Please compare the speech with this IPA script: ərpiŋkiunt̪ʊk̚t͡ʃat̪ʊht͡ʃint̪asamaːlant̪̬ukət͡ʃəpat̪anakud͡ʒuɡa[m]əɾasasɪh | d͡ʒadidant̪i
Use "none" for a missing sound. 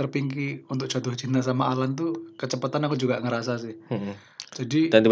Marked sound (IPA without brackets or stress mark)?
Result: ŋ